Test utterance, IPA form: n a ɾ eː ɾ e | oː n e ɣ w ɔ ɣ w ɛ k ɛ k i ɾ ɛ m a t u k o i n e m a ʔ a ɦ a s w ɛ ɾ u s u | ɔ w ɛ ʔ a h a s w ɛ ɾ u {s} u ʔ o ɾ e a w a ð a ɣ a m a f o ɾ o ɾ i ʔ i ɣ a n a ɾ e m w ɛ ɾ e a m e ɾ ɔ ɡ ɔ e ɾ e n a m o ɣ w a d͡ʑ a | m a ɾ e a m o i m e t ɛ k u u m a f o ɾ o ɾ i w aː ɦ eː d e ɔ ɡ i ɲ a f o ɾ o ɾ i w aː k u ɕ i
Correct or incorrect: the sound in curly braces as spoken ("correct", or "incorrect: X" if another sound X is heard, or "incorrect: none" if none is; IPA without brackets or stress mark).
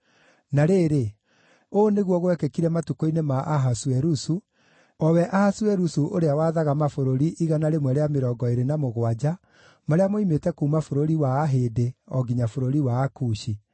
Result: correct